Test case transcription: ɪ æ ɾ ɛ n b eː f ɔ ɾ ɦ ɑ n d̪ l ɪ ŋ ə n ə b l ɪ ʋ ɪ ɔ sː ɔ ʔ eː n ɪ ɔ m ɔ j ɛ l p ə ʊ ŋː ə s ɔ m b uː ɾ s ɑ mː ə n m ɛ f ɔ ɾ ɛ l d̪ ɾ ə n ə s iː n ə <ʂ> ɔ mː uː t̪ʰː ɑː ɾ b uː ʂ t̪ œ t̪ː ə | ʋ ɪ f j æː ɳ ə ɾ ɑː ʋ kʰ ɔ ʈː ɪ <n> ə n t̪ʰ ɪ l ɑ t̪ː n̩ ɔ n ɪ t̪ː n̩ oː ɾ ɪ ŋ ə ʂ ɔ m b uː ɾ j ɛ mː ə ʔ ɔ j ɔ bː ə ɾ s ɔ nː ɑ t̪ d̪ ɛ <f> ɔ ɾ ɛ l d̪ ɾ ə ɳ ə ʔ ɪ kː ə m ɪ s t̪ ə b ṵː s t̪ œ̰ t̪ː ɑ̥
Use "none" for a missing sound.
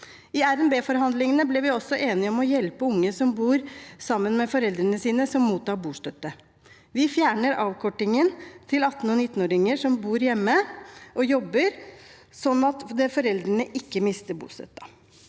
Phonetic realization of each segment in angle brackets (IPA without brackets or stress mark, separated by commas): s, ŋ, f